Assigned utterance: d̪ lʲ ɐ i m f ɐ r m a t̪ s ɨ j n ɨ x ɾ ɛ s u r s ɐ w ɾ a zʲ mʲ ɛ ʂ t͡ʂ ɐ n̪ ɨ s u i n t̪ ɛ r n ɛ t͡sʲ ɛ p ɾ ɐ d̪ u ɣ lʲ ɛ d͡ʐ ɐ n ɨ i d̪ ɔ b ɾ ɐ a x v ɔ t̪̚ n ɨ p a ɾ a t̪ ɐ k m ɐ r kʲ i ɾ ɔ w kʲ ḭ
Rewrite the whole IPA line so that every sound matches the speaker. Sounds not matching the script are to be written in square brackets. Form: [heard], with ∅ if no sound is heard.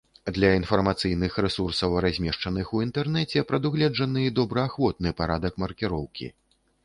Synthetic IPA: d̪ lʲ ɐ i [n] f ɐ r m a t̪ s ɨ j n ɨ x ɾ ɛ s u r s ɐ w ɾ a zʲ mʲ ɛ ʂ t͡ʂ ɐ n̪ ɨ [x] u i n t̪ ɛ r n ɛ t͡sʲ ɛ p ɾ ɐ d̪ u ɣ lʲ ɛ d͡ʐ ɐ n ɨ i d̪ ɔ b ɾ ɐ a x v ɔ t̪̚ n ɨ p a ɾ a [d̪] ɐ k m ɐ r kʲ i ɾ ɔ w kʲ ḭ